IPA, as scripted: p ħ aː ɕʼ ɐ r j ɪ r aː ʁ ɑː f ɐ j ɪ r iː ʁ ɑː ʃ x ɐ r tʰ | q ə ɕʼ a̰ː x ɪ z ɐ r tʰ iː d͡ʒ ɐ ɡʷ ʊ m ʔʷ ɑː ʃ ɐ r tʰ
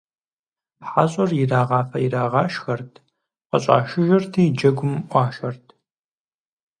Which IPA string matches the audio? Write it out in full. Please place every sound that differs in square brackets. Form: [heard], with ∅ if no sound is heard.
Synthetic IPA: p ħ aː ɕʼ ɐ r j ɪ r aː ʁ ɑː f ɐ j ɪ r [aː] ʁ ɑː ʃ x ɐ r tʰ | q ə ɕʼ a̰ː [ʃ] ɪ [ʒ] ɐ r tʰ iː d͡ʒ ɐ ɡʷ ʊ m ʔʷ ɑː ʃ ɐ r tʰ